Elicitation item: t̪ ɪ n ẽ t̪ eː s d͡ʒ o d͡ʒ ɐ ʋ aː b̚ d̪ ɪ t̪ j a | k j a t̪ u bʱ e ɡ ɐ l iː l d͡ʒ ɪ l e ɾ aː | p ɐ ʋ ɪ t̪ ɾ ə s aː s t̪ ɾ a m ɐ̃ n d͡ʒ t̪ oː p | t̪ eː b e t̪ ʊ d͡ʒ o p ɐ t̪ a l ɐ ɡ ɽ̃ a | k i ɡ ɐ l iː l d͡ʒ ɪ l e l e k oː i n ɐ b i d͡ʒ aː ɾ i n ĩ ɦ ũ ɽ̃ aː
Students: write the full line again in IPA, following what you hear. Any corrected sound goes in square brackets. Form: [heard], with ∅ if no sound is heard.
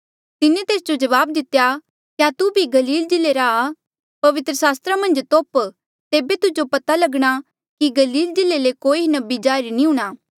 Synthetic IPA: t̪ ɪ n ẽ t̪ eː s d͡ʒ o d͡ʒ ɐ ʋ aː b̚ d̪ ɪ t̪ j a | k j a t̪ u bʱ [i] ɡ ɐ l iː l d͡ʒ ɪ l e ɾ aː | p ɐ ʋ ɪ t̪ ɾ ə s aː s t̪ ɾ a m ɐ̃ n d͡ʒ t̪ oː p | t̪ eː b e t̪ ʊ d͡ʒ o p ɐ t̪ a l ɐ ɡ ɽ̃ a | k i ɡ ɐ l iː l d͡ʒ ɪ l e l e k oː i n ɐ b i d͡ʒ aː ɾ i n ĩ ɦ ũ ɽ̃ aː